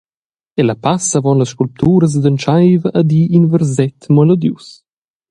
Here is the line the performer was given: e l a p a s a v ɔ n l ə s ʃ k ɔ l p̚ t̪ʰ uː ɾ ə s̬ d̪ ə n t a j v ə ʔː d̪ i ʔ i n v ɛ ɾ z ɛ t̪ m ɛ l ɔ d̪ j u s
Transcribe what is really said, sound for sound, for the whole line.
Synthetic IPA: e l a p a s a v ɔ n l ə s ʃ k u l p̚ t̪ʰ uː ɾ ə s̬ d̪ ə n t͡ʃ a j v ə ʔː d̪ i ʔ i n v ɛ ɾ z ɛ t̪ m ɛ l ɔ d̪ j u s